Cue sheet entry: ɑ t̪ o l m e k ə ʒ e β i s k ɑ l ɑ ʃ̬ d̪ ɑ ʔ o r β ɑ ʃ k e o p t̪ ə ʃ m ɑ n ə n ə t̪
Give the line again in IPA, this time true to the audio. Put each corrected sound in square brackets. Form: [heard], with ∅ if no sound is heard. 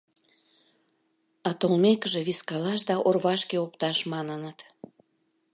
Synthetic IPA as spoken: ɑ t̪ o l m e k ə ʒ e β i s k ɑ l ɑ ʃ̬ d̪ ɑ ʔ o r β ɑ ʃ k e o p t̪ [ɑ] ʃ m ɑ n ə n ə t̪